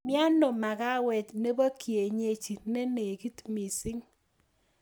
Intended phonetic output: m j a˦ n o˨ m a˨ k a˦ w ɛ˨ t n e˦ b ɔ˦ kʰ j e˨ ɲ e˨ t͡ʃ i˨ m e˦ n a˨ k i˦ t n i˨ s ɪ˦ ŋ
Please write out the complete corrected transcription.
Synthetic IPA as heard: m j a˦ n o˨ m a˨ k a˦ w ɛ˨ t n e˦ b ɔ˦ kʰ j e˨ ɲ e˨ t͡ʃ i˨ n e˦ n e˨ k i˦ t m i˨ s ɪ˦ ŋ